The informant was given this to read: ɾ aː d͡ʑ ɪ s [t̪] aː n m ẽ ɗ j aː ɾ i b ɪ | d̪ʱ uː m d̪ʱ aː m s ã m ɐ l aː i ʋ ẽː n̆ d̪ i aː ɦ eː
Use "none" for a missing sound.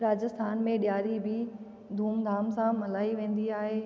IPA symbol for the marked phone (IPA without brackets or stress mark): t̪ʰ